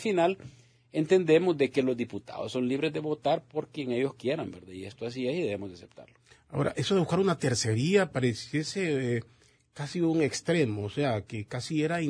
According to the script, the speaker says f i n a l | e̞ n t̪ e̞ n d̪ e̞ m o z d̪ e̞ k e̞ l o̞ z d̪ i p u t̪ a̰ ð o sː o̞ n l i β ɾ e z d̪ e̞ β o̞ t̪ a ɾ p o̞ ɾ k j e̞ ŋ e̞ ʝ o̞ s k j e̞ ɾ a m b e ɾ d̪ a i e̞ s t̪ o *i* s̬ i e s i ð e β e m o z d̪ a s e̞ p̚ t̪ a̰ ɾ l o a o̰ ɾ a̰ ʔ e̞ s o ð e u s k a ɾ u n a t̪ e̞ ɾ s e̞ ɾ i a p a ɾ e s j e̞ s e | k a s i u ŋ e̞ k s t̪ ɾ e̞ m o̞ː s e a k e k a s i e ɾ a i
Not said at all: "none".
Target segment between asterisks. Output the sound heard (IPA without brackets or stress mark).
a